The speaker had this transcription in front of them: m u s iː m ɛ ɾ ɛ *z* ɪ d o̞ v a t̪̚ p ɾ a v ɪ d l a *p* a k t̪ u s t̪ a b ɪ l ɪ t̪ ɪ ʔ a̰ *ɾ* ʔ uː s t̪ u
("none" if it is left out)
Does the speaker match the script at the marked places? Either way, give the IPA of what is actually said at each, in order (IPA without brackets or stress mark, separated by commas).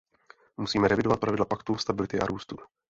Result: v, p, ɾ